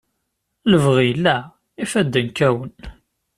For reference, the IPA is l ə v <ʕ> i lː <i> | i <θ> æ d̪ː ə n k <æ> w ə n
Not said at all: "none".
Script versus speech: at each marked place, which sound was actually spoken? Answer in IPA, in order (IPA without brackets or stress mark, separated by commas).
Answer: ʁ, æ, f, æ